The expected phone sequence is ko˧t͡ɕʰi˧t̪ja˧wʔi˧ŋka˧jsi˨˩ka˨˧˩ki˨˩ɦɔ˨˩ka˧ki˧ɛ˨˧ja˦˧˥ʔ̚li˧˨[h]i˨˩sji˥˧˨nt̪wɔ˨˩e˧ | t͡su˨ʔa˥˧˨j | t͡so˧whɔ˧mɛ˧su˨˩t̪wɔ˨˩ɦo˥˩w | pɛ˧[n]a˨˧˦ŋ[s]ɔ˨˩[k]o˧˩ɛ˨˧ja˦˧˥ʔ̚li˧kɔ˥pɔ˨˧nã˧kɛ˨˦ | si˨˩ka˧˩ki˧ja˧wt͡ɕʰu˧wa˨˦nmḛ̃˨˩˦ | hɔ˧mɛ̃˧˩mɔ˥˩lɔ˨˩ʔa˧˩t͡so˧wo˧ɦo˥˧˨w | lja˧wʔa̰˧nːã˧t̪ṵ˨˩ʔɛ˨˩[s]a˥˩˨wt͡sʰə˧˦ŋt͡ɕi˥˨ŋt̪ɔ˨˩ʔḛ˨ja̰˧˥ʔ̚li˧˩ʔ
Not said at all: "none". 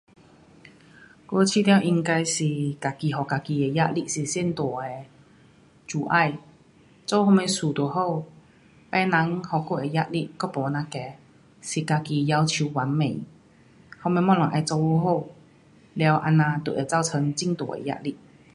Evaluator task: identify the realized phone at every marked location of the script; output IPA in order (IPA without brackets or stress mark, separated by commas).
s, n, h, k, t͡s